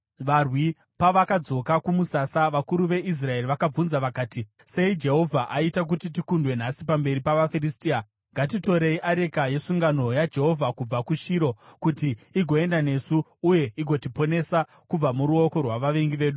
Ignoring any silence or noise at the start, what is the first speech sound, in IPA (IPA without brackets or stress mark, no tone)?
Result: ʋ